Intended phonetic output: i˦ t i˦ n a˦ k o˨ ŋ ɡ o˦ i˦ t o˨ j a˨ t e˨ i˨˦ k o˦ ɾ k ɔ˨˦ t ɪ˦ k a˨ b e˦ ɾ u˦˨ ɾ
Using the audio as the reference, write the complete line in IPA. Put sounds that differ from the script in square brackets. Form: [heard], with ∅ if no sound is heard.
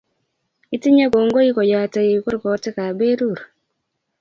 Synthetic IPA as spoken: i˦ t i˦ [ɲ] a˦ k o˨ ŋ ɡ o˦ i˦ [k] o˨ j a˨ t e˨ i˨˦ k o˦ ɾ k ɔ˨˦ t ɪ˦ k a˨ b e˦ ɾ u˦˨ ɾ